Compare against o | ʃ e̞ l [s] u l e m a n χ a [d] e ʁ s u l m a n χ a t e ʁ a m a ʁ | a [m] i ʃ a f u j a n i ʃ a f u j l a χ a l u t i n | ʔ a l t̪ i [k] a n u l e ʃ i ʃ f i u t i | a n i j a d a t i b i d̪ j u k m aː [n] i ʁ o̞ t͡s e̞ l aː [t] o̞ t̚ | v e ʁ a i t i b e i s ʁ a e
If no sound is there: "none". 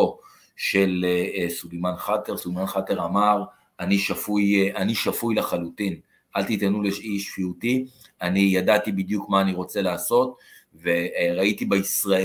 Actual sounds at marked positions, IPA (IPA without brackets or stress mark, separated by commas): s, t, n, t, n, s